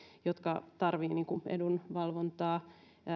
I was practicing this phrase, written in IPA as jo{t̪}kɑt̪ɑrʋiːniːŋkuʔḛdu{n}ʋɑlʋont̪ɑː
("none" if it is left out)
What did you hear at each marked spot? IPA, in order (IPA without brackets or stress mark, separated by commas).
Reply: t̪, n